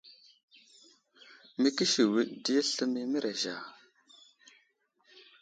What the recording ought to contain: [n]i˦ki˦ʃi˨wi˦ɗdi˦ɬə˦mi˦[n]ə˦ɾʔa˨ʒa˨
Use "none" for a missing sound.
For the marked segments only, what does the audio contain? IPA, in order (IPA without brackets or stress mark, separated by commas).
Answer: m, m